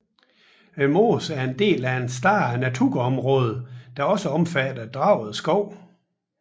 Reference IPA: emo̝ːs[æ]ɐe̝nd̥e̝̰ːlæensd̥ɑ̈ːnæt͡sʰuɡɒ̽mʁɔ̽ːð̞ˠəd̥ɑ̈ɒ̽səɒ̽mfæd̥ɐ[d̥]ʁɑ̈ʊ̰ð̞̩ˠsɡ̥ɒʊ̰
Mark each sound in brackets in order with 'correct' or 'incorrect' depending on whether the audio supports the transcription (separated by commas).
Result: correct, correct